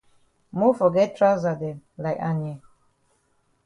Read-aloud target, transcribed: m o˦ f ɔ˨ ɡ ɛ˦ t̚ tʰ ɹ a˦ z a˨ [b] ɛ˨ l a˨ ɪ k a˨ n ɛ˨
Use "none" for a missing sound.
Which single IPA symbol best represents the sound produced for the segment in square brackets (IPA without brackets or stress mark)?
d